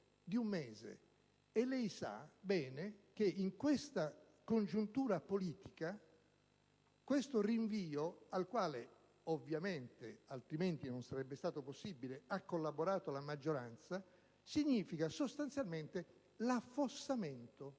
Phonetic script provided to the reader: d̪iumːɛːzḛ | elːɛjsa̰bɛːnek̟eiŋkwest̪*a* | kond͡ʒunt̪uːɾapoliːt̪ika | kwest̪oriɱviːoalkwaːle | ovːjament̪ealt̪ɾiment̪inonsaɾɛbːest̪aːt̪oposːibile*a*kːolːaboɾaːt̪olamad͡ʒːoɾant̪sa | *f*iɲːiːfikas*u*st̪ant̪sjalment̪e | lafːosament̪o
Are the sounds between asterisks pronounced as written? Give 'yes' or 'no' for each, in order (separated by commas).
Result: yes, yes, no, no